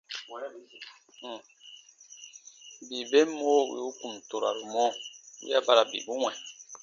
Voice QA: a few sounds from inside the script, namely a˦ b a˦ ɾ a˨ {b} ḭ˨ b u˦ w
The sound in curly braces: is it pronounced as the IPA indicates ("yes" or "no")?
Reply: yes